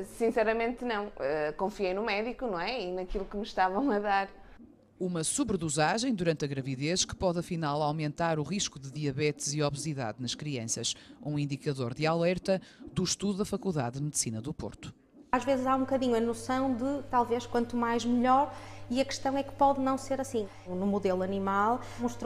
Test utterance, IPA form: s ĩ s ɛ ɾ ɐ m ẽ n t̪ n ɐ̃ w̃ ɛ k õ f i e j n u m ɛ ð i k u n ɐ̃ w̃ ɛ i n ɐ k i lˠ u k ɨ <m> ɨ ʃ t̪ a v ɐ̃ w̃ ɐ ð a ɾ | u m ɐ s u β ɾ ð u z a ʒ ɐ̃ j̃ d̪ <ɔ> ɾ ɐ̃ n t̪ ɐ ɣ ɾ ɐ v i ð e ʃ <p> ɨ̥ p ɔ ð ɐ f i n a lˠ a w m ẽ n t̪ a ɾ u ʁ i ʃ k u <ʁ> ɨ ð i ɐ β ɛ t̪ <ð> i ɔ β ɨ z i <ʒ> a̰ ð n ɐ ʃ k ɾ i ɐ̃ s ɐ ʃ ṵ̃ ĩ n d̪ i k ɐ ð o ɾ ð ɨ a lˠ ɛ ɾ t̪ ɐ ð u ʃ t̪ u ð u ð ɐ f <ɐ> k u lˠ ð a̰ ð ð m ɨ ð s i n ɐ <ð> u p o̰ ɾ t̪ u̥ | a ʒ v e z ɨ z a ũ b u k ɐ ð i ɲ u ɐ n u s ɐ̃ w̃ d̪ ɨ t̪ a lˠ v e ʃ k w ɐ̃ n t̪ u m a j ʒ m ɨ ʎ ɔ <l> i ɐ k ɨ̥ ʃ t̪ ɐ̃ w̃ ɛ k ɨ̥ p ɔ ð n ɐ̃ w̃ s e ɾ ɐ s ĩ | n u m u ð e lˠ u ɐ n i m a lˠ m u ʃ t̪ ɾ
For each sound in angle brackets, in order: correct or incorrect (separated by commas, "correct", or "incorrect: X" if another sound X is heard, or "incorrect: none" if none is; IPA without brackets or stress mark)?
correct, incorrect: u, incorrect: k, incorrect: ð, incorrect: z, incorrect: ð, correct, correct, incorrect: ɾ